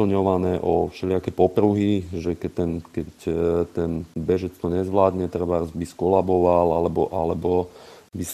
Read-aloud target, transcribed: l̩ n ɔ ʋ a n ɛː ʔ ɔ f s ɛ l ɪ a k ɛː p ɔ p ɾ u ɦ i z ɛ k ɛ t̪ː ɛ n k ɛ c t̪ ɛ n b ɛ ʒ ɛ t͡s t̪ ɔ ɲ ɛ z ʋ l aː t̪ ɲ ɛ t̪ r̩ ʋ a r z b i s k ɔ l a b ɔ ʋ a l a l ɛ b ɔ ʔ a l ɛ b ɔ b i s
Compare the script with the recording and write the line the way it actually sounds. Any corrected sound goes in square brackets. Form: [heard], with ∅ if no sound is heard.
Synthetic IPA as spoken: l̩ [ɲ] ɔ ʋ a n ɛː ʔ ɔ f [ʃ] ɛ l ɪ a k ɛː p ɔ p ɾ u ɦ i [ʒ] ɛ k ɛ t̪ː ɛ n k ɛ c t̪ ɛ n b ɛ ʒ ɛ t͡s t̪ ɔ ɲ ɛ z ʋ l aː [d̪] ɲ ɛ t̪ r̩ ʋ a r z b i s k ɔ l a b ɔ ʋ a l a l ɛ b ɔ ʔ a l ɛ b ɔ b i s